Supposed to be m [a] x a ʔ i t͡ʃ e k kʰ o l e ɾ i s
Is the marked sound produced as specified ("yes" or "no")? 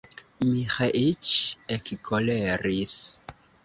no